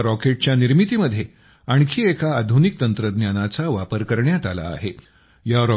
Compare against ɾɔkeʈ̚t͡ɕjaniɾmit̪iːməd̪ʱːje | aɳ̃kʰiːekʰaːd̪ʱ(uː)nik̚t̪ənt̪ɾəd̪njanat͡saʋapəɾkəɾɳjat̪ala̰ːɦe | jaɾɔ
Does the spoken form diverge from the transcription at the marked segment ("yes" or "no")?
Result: yes